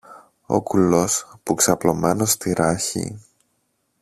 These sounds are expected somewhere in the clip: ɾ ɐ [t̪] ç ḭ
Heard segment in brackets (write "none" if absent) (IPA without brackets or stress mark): none